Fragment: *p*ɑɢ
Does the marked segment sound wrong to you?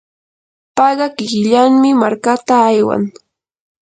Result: no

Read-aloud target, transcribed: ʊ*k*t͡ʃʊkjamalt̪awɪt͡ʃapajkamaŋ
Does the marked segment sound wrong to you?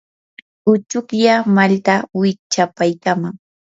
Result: yes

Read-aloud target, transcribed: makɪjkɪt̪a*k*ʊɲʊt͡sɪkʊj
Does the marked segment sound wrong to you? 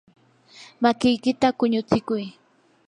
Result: no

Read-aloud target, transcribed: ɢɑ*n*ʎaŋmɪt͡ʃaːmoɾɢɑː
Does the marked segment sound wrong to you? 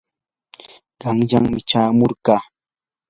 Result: yes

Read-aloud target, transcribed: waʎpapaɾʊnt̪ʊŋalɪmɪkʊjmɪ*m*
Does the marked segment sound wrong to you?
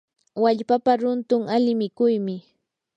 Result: yes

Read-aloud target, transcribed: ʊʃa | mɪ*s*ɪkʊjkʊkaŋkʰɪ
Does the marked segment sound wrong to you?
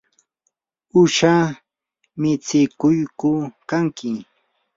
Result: yes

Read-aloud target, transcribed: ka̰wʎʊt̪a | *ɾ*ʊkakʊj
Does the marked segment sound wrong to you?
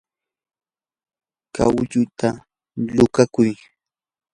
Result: yes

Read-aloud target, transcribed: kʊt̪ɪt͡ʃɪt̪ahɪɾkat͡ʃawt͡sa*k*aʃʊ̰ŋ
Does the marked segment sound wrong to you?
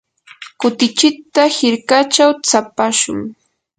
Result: yes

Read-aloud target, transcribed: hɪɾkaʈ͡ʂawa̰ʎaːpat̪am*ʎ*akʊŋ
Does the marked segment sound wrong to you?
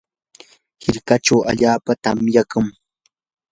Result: yes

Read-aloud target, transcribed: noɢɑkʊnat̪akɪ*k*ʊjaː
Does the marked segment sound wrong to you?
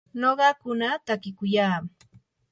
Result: no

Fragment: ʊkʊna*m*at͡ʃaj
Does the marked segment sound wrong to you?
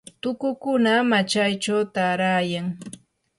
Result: no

